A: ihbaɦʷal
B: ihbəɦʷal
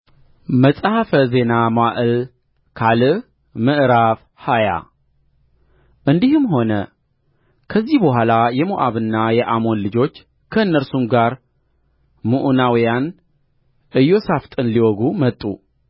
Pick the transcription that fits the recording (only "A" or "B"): B